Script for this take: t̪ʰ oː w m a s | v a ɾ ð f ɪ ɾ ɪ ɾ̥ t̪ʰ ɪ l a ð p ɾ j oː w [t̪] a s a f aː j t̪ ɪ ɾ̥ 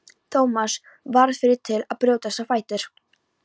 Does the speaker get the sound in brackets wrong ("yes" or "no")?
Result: no